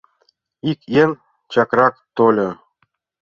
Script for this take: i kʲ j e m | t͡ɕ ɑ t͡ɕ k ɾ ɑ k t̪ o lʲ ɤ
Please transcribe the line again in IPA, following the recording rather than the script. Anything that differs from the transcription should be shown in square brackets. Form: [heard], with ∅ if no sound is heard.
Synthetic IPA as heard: i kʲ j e [n] | t͡ɕ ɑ [∅] k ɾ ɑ k t̪ o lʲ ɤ